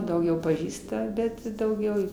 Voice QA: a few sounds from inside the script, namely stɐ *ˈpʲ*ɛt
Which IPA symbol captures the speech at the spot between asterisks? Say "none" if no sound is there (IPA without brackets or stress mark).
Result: bʲ